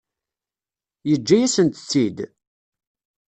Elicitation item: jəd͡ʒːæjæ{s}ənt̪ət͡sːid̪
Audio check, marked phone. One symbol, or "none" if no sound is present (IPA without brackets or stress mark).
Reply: s